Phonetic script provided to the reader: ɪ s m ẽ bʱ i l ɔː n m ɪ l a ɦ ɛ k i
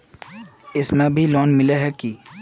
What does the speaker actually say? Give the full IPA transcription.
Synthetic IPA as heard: ɪ s m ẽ bʱ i l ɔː n m ɪ l e ɦ ɛ k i